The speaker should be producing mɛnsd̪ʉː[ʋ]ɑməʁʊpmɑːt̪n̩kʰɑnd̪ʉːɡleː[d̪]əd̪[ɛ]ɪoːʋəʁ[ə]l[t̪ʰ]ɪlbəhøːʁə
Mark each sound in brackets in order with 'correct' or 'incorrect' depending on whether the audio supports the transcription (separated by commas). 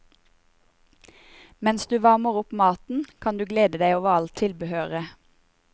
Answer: correct, correct, incorrect, incorrect, correct